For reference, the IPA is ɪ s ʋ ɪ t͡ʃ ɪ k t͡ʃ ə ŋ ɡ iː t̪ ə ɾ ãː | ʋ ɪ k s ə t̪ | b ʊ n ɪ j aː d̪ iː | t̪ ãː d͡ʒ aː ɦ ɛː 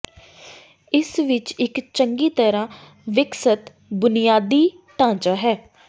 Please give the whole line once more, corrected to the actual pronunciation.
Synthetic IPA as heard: ɪ s ʋ ɪ t͡ʃ ɪ k t͡ʃ ə ŋ ɡ iː t̪ ə ɾ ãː | ʋ ɪ k s ə t̪ | b ʊ n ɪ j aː d̪ iː | t̪ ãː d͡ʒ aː ɦ ɛː